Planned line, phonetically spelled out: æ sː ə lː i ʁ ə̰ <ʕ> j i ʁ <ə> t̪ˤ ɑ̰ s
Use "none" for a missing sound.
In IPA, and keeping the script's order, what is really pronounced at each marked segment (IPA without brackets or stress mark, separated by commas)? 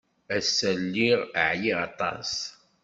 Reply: ʕ, ɑ